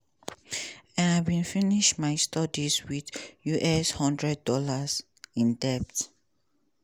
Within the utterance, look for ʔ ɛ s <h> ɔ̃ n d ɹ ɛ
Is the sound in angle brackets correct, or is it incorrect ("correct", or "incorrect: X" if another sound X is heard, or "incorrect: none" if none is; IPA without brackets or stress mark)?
correct